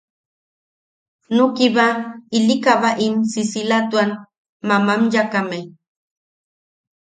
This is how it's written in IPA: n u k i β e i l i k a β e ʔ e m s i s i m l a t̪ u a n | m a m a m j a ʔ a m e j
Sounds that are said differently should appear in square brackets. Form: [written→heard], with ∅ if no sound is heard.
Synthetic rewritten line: n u k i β [e→a] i l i k a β [e→a] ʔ [e→i] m s i s i [m→∅] l a t̪ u a n | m a m a m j a [ʔ→k] a m e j

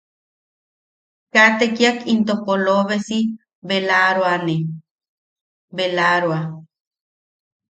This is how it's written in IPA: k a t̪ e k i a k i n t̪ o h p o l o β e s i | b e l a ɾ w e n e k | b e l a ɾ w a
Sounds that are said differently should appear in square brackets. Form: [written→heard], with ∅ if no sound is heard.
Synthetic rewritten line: k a t̪ e k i a k i n t̪ o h p o l o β e s i | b e l a ɾ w [e→a] n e [k→∅] | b e l a ɾ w a

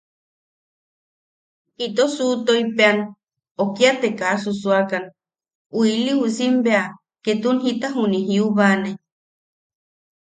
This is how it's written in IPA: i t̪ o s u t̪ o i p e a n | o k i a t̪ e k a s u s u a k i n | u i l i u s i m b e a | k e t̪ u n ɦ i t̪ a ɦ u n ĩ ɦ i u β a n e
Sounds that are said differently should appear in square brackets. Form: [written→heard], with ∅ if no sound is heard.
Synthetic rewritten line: i t̪ o s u t̪ o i p e a n | o k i a t̪ e k a s u s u a k [i→a] n | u i l i u s i m b e a | k e t̪ u n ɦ i t̪ a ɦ u n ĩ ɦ i u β a n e

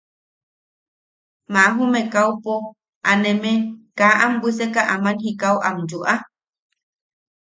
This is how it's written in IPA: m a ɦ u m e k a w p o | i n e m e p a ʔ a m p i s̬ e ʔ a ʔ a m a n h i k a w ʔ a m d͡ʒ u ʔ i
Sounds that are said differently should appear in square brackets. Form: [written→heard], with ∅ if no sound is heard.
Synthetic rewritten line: m a ɦ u m e k a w p o | [i→a] n e m e [p→k] a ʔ a m [p→b] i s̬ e [ʔ→k] a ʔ a m a n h i k a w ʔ a m d͡ʒ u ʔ [i→a]

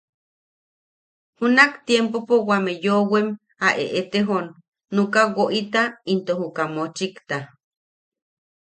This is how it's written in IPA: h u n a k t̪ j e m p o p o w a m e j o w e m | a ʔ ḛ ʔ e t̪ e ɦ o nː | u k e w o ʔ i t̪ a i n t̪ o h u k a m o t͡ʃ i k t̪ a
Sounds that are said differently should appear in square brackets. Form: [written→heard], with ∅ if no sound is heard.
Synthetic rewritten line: h u n a k t̪ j e m p o p o w a m e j o w e m | a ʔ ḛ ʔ e t̪ e ɦ o nː | u k [e→a] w o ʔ i t̪ a i n t̪ o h u k a m o t͡ʃ i k t̪ a

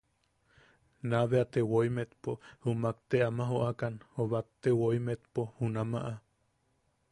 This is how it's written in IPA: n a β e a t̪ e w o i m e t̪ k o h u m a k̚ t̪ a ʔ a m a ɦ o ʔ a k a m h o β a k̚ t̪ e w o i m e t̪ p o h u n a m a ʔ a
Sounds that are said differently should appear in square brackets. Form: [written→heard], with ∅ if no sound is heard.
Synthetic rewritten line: n a β e a t̪ e w o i m e t̪ [k→p] o h u m a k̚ t̪ [a→e] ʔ a m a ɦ o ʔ a k a [m→n] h o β a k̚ t̪ e w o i m e t̪ p o h u n a m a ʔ a

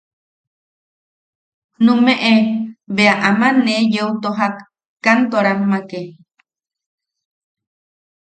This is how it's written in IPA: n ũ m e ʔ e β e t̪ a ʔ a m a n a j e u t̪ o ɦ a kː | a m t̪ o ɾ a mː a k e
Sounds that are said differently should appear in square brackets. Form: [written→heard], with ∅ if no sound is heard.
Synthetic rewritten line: n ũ m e ʔ e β e [t̪→∅] a ʔ a m a n [a→e] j e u t̪ o ɦ a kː | a [m→n] t̪ o ɾ a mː a k e

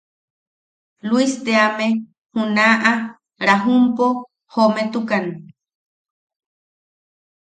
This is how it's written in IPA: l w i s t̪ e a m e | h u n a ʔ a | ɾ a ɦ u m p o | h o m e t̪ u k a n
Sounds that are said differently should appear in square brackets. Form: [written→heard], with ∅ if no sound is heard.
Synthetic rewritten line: l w i s t̪ e a m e | h u n a ʔ a | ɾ a ɦ u m p o | h o m e t̪ u k a n

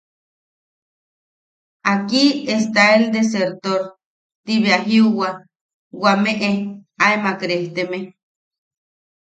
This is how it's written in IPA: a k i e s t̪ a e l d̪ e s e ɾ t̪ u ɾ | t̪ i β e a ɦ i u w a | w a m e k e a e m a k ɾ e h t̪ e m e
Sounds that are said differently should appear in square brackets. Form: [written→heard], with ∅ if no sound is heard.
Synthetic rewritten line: a k i e s t̪ a e l d̪ e s e ɾ t̪ [u→o] ɾ | t̪ i β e a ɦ i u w a | w a m e [k→ʔ] e a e m a k ɾ e h t̪ e m e

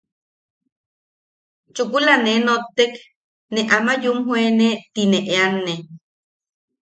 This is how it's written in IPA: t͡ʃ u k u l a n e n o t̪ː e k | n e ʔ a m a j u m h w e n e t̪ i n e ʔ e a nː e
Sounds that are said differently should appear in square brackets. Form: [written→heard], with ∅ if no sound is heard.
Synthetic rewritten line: t͡ʃ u k u l a n e n o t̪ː e k | n e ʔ a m a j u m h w e n e t̪ i n e ʔ e a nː e

